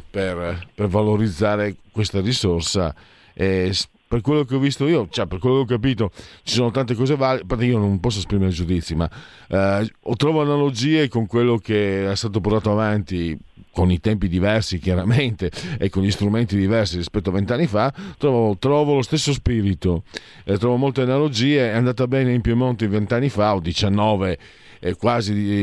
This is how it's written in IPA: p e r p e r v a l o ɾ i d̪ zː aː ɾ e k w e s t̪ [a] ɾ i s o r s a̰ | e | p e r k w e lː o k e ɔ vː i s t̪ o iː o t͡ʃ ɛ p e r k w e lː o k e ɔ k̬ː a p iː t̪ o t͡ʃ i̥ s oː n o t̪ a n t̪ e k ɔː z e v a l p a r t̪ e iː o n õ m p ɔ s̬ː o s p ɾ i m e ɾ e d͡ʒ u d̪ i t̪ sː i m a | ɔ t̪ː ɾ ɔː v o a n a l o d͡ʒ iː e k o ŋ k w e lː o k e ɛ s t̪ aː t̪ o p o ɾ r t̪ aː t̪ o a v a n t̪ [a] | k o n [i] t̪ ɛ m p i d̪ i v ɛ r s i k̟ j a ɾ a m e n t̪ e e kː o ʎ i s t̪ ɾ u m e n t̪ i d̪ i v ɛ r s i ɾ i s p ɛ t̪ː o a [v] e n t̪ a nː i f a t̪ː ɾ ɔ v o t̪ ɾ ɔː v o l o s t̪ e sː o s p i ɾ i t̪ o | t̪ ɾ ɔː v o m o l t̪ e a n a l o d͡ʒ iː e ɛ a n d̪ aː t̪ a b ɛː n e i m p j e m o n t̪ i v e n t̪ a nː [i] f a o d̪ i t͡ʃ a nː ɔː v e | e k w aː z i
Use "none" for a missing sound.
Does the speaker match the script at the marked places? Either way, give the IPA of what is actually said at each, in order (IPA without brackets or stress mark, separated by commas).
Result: a, i, i, v, i